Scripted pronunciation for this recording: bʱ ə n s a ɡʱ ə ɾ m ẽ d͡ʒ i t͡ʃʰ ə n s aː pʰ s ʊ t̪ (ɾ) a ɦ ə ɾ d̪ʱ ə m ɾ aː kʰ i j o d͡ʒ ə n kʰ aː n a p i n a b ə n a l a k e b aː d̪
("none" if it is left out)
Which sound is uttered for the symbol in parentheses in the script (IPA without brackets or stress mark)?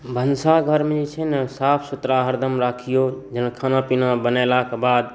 ɾ